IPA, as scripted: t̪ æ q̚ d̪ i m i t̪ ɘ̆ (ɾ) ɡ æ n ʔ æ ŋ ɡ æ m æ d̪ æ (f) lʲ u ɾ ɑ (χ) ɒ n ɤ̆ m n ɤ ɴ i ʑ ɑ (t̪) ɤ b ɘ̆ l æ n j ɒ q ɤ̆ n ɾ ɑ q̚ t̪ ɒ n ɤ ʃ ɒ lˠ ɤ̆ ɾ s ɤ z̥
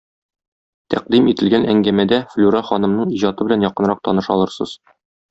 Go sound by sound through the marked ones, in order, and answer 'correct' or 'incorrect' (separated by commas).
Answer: incorrect, correct, correct, correct